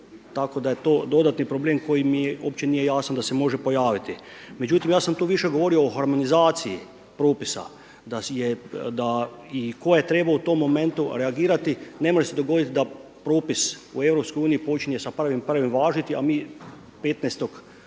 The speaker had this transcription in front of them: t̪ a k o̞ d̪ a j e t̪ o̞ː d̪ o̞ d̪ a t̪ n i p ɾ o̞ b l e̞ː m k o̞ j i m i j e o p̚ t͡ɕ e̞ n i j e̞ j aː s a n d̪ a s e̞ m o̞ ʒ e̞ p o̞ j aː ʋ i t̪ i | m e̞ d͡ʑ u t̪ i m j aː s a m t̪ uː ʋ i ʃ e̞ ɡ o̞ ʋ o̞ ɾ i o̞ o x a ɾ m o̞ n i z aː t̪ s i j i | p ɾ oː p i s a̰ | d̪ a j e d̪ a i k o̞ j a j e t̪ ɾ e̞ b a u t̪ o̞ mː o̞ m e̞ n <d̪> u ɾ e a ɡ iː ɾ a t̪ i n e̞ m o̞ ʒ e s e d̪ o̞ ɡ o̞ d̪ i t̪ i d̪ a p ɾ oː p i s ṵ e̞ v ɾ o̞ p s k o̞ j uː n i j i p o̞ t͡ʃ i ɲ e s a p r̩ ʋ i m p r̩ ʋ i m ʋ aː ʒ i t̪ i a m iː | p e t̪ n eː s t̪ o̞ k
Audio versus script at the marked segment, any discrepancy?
yes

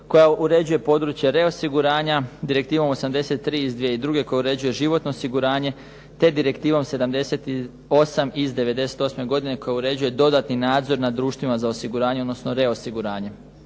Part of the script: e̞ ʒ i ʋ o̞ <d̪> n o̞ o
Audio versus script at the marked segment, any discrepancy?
yes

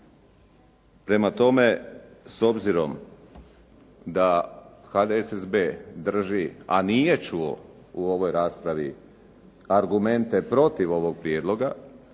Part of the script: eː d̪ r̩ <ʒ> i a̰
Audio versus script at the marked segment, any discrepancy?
no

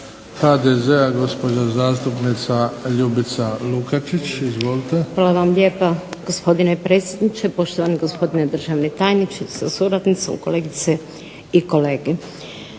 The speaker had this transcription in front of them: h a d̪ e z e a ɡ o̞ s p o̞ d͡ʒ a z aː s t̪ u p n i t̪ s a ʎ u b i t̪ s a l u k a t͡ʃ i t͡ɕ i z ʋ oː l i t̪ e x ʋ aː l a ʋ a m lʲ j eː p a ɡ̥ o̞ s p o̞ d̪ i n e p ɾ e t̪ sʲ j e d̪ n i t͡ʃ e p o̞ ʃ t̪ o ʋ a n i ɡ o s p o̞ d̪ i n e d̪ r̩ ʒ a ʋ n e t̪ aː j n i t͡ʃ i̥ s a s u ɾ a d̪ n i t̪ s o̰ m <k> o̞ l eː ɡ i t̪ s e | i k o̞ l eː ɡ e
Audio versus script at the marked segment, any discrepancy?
no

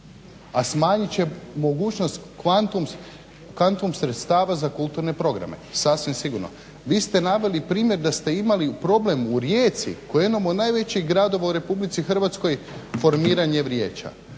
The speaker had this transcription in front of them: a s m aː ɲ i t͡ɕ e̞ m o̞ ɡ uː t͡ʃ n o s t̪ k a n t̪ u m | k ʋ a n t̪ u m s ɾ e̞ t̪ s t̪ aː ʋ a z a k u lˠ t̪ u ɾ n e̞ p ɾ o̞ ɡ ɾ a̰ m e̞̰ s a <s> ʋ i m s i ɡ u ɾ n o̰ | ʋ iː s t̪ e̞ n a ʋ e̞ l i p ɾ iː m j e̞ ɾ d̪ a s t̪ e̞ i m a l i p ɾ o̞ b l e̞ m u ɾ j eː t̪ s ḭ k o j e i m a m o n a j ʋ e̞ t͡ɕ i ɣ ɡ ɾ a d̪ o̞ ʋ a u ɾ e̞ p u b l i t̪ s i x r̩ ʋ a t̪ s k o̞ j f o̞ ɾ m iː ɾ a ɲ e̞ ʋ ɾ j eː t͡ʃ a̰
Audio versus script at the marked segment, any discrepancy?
no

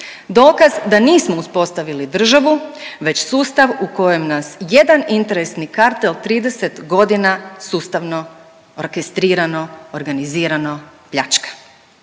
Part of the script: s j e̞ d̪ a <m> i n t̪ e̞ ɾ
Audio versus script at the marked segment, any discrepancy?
yes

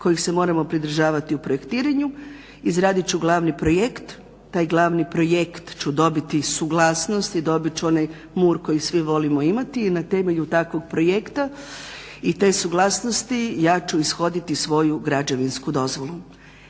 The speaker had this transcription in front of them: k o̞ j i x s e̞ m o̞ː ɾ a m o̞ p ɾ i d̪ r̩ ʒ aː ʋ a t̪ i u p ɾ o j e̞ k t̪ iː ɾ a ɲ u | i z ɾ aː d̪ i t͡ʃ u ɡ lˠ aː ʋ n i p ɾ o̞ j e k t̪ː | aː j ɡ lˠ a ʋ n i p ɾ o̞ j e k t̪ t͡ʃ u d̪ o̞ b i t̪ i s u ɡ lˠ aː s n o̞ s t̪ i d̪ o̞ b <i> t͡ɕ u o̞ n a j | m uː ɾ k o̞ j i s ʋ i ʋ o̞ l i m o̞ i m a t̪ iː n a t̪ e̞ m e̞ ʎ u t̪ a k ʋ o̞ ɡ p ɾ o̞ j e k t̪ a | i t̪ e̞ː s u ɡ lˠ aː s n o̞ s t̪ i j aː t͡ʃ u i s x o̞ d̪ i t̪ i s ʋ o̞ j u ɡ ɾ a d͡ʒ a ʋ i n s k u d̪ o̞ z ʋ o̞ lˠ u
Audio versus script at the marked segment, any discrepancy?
no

